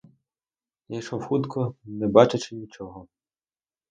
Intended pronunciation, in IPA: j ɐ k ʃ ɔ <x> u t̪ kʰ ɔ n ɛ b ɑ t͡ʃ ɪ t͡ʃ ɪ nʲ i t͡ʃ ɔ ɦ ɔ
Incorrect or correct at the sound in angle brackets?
correct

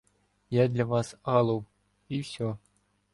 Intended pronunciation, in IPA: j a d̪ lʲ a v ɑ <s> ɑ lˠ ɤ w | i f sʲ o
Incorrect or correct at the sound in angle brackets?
correct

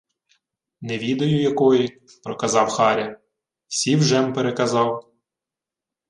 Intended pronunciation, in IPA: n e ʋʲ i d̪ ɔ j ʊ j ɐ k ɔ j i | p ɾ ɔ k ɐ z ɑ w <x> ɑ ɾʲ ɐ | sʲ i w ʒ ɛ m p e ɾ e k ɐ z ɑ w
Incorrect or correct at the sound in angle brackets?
correct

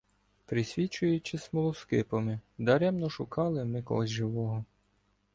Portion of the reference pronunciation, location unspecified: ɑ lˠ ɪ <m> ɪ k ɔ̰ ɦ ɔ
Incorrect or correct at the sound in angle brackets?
correct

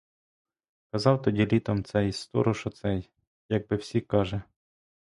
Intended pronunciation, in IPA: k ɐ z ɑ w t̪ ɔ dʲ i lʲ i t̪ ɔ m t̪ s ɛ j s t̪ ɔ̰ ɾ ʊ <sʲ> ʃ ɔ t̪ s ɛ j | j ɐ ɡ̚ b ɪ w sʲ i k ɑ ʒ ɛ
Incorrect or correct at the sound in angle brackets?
incorrect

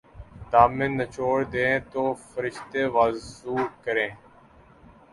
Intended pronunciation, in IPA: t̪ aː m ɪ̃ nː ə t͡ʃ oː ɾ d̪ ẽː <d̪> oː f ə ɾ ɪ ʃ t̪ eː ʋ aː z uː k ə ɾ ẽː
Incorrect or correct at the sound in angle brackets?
incorrect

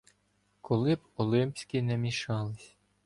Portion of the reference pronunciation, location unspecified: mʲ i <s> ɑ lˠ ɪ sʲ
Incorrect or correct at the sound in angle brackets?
incorrect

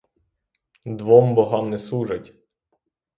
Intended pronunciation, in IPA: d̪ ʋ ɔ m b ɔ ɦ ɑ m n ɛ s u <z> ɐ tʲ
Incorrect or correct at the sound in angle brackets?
incorrect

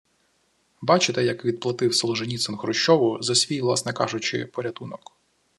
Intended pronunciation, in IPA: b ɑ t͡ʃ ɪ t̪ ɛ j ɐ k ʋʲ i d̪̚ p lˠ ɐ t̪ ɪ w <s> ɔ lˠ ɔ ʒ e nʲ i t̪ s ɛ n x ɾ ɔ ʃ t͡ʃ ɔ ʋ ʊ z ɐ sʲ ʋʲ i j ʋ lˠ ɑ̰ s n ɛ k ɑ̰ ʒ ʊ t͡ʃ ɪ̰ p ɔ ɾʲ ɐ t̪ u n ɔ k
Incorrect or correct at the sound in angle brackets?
correct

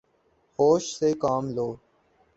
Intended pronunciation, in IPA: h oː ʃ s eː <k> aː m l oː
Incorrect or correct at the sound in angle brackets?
correct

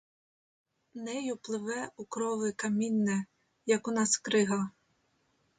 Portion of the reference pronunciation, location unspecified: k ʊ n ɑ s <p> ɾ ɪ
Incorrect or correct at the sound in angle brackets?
incorrect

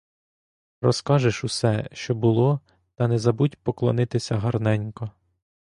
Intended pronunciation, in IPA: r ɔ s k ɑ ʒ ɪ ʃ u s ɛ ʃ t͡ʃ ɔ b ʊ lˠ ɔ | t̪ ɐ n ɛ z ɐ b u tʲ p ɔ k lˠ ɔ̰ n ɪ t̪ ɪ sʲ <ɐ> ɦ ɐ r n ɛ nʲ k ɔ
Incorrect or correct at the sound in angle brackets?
correct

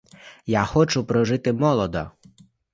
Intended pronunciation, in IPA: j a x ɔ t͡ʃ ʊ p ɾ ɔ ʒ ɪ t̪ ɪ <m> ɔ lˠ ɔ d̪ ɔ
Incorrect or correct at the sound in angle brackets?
correct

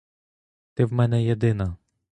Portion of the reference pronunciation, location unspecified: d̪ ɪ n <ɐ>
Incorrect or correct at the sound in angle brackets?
correct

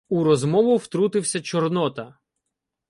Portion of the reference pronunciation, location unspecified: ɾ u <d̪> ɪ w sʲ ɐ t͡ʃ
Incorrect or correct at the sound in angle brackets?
incorrect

